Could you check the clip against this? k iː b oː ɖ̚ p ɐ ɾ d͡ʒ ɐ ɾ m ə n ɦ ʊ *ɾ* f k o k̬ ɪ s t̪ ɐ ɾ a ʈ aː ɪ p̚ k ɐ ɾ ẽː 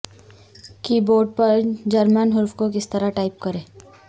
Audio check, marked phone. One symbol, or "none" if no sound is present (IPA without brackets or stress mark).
ɾ